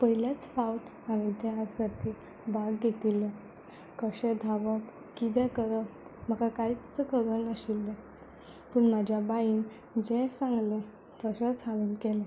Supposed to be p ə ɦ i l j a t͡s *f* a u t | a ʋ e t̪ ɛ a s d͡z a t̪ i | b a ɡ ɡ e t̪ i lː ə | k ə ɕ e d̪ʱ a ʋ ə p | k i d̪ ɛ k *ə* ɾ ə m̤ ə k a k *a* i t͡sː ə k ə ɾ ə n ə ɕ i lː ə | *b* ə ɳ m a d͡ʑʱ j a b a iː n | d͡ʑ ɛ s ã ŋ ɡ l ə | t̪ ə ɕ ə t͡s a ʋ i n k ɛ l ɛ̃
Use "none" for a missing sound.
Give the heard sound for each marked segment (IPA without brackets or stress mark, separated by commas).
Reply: f, ə, a, p